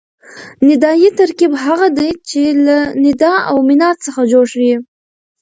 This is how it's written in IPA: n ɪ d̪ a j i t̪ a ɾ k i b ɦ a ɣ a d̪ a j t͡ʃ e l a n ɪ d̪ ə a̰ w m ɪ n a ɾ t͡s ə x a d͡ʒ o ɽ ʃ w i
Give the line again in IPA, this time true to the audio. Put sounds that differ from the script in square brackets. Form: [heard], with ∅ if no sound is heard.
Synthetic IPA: n ɪ d̪ [ɑ] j i t̪ a ɾ k i b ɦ a ɣ a d̪ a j t͡ʃ e l a n ɪ d̪ [ɑ] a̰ w m ɪ n [ɑ] ɾ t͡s ə x a d͡ʒ o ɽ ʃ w i